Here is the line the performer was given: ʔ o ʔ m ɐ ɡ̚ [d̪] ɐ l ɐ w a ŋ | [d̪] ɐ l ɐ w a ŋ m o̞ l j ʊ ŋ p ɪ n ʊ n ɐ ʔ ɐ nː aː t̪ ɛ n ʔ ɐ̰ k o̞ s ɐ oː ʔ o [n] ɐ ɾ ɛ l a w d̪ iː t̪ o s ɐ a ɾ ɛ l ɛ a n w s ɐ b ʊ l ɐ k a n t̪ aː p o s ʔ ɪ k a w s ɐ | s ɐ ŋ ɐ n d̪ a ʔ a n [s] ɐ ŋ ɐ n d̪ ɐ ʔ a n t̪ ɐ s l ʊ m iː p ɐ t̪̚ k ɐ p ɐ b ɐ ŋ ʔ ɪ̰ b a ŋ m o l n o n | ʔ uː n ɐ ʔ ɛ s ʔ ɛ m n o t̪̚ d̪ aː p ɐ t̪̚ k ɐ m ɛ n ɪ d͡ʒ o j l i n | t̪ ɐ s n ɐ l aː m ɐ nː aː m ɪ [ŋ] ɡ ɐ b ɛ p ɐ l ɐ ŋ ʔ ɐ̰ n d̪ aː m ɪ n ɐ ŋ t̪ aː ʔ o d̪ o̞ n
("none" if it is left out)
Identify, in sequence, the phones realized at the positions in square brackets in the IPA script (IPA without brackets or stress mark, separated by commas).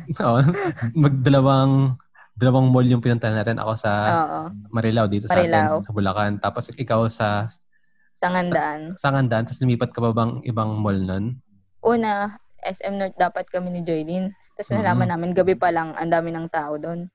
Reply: d̪, d̪, m, s, n